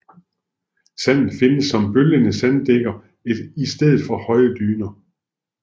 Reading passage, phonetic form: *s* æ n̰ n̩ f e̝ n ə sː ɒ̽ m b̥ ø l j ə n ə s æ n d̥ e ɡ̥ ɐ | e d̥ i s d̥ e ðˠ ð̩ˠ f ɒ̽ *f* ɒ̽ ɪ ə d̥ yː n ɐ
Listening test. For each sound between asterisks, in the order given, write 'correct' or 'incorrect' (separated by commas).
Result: correct, incorrect